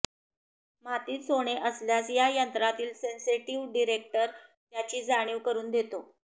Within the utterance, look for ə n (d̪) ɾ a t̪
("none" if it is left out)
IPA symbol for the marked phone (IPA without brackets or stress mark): t̪